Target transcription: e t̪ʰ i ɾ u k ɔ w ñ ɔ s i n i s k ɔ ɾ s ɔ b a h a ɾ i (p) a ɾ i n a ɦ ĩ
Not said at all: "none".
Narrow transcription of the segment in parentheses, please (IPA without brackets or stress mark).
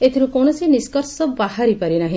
p